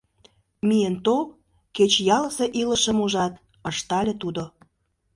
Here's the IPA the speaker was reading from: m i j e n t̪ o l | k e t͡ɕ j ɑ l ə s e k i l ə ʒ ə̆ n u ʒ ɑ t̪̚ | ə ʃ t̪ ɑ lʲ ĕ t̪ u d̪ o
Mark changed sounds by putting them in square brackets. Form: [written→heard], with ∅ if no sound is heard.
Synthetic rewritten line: m i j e n t̪ o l | k e t͡ɕ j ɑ l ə s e [k→ʔ] i l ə [ʒ→ʃ] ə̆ [n→m] u ʒ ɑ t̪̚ | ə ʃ t̪ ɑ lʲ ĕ t̪ u d̪ o